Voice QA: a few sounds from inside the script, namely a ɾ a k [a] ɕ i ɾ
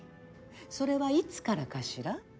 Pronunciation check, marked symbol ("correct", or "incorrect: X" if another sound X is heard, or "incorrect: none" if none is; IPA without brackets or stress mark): correct